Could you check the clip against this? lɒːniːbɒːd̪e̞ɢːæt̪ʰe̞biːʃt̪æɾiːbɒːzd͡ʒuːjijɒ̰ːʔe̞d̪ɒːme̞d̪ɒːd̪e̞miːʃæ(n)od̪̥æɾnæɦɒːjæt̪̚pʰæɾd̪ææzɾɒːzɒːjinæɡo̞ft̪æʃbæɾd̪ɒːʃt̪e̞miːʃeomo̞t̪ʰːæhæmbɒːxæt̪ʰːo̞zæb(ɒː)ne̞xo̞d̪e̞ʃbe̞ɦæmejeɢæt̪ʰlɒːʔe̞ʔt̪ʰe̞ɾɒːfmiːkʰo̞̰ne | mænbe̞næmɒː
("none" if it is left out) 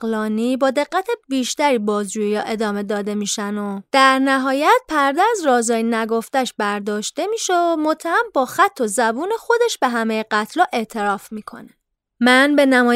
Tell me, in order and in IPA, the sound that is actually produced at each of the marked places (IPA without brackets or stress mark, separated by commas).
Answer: n, uː